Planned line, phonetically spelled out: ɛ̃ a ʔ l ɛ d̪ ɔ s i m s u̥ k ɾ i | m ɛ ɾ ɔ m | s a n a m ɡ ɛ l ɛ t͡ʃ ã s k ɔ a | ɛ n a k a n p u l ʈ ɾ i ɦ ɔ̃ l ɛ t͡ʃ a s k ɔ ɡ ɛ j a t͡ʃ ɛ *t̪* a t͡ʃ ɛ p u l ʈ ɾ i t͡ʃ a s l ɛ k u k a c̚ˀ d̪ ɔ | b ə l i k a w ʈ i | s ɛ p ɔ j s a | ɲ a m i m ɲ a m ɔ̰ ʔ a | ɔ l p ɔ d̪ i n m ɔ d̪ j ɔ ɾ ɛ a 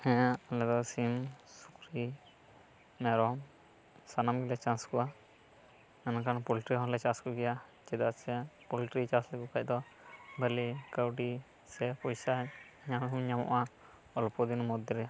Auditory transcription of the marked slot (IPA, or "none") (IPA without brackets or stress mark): d̪